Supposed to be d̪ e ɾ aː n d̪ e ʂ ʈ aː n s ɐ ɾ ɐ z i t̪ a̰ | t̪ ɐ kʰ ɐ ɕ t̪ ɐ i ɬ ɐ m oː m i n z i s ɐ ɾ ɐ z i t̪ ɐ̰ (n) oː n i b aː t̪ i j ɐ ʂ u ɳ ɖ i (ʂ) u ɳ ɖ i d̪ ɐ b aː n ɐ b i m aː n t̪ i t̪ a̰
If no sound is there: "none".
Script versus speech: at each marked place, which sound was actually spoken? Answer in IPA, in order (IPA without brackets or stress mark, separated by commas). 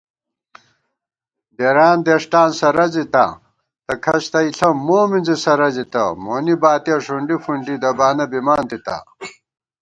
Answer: m, f